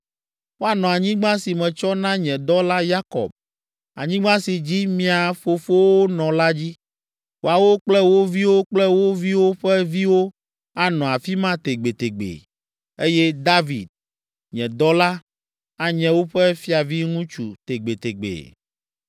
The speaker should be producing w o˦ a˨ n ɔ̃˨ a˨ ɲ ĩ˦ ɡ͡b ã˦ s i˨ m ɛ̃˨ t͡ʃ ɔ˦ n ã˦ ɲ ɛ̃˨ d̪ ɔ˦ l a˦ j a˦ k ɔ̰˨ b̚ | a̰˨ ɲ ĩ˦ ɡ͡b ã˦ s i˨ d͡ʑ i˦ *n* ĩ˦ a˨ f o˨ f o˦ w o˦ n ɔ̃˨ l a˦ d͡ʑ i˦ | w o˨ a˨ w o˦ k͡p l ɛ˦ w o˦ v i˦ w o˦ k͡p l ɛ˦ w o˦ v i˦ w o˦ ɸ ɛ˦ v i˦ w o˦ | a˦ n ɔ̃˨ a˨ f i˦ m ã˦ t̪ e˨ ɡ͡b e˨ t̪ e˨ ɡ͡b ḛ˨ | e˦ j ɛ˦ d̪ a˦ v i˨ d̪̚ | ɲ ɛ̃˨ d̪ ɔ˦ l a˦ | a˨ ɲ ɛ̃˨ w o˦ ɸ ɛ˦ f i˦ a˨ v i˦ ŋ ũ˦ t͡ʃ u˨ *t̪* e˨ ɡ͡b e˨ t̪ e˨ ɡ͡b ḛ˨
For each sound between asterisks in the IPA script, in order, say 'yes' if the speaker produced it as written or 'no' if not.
no, yes

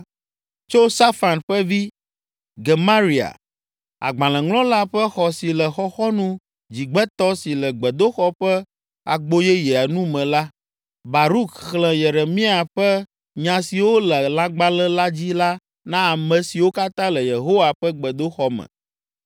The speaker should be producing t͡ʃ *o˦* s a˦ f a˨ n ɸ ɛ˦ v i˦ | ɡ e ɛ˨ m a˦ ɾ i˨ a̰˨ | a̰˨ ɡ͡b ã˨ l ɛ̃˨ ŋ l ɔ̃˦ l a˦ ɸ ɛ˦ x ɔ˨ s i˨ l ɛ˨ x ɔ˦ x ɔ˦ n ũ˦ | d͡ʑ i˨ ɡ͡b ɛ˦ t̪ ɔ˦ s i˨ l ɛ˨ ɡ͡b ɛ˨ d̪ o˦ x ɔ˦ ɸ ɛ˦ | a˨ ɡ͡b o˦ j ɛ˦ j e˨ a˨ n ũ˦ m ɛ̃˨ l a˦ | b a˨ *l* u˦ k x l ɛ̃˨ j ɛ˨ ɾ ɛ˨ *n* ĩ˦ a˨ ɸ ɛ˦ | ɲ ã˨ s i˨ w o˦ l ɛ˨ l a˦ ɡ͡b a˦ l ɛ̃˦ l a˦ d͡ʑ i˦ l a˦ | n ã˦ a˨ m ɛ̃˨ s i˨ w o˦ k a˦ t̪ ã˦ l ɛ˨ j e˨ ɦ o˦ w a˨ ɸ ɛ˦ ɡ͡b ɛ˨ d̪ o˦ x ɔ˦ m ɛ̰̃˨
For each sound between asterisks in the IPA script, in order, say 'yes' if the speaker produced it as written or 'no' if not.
yes, no, no

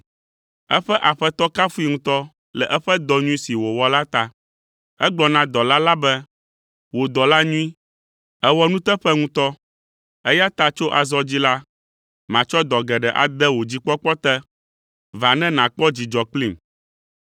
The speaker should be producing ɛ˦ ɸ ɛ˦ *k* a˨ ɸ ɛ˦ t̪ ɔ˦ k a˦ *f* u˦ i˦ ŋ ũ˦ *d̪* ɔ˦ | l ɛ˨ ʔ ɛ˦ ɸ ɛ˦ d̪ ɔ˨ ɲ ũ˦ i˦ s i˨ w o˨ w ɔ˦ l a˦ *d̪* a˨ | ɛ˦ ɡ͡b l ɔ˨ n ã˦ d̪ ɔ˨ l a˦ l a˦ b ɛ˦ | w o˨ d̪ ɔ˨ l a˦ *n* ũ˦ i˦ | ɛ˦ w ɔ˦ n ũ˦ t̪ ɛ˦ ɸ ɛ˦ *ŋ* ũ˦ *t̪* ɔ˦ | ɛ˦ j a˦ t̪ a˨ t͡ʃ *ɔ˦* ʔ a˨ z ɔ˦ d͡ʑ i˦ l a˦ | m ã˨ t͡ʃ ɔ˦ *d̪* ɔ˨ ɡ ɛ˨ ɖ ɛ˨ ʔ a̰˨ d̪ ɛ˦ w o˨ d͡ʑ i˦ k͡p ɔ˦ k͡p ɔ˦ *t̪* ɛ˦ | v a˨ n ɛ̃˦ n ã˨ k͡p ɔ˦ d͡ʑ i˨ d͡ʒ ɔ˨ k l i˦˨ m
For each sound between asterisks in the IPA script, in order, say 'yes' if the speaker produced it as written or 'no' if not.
no, yes, no, no, no, yes, yes, no, yes, yes

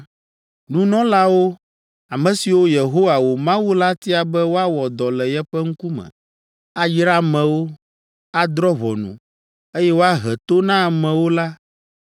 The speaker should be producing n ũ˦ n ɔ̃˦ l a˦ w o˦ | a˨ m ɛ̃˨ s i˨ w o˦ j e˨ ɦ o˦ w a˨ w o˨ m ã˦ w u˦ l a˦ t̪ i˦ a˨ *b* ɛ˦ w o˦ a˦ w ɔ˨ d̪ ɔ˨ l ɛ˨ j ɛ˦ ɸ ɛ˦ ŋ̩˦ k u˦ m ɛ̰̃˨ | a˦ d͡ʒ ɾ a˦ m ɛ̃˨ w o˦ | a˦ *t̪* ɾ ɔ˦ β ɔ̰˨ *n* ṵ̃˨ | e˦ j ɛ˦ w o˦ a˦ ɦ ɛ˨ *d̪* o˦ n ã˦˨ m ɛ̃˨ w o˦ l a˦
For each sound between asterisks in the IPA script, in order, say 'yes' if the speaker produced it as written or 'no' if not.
yes, no, yes, no

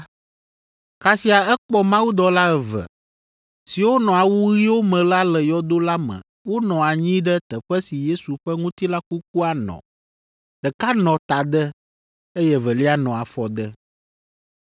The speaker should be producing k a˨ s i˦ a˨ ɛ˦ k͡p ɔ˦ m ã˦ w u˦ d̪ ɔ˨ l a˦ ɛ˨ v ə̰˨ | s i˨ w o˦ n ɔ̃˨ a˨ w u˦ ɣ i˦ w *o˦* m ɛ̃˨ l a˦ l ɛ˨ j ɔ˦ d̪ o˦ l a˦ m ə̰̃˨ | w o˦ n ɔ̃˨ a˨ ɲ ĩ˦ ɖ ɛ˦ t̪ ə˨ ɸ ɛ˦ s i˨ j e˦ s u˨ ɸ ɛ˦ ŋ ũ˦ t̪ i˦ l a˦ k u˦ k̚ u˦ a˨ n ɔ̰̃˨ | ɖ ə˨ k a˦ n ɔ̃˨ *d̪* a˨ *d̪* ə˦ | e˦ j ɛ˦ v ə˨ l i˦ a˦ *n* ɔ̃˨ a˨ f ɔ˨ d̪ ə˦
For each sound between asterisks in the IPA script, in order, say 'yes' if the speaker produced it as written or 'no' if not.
yes, no, yes, yes

